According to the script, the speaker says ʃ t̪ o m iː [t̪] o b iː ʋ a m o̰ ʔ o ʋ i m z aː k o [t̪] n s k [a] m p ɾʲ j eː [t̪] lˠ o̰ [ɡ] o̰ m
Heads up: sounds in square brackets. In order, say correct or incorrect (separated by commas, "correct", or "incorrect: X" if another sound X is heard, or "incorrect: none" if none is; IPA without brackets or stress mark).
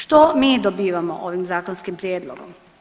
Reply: incorrect: d̪, incorrect: none, incorrect: i, incorrect: d̪, correct